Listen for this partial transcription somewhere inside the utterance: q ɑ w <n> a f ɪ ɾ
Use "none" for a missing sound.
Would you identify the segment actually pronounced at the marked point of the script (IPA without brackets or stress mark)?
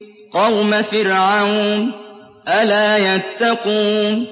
m